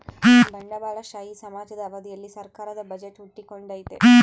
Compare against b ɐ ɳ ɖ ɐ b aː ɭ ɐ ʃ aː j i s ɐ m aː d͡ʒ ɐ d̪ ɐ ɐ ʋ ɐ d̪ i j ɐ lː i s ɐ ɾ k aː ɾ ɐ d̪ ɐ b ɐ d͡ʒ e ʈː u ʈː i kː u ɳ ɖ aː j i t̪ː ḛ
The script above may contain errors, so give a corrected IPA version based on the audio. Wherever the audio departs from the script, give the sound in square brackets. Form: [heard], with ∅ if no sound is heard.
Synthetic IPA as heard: b ɐ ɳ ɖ ɐ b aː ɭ ɐ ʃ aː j i s ɐ m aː d͡ʒ ɐ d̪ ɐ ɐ ʋ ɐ d̪ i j ɐ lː i s ɐ ɾ k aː ɾ ɐ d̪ ɐ b ɐ d͡ʒ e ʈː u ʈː i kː [o] ɳ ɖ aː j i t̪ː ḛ